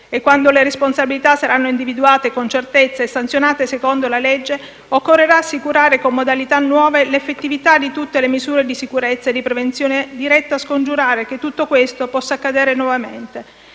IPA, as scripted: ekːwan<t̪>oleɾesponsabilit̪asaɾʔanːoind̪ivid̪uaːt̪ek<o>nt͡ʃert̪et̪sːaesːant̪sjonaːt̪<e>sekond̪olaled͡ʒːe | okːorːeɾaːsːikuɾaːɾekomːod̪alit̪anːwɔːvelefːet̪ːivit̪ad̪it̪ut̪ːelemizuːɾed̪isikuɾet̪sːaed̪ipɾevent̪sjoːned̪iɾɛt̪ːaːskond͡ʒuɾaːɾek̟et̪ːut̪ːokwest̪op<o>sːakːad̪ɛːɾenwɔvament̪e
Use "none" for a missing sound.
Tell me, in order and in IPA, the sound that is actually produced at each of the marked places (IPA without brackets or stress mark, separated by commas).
d̪, o, e, ɔ